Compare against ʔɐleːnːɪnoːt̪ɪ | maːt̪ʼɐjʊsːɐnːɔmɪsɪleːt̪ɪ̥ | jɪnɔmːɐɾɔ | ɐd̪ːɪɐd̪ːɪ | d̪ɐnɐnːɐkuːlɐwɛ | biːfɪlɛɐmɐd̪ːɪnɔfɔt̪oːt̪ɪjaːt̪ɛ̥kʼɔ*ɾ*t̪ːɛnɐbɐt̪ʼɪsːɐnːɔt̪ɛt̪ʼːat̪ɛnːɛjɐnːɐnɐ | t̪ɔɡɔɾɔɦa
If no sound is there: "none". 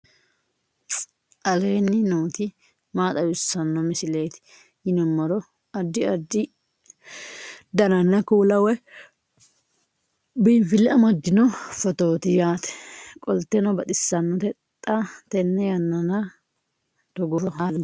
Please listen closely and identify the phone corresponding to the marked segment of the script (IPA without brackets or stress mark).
l